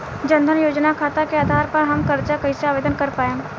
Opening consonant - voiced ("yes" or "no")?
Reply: yes